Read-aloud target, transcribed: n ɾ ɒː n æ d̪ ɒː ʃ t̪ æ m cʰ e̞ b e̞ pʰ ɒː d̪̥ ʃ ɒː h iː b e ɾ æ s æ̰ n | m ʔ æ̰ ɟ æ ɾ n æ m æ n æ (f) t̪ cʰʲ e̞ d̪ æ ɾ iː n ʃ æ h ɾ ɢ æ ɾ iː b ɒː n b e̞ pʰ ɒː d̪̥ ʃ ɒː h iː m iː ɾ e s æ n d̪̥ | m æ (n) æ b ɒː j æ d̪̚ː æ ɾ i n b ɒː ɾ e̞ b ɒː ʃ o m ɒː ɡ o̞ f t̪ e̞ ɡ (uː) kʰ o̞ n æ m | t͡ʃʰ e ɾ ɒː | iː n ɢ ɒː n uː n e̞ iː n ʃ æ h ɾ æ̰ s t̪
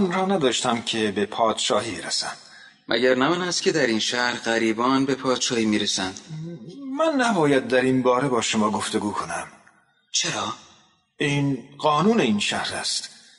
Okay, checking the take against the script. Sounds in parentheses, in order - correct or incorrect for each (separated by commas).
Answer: incorrect, incorrect, correct